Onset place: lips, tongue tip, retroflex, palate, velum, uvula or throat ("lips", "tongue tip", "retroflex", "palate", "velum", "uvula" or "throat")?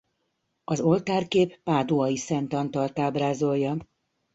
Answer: tongue tip